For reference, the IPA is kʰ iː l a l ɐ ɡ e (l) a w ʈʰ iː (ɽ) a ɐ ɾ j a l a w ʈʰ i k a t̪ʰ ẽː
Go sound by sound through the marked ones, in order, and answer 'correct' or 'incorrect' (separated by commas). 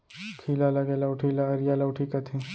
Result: correct, incorrect